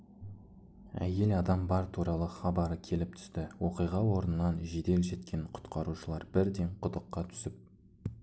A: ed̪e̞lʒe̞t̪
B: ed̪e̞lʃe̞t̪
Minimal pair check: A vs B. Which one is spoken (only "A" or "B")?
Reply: A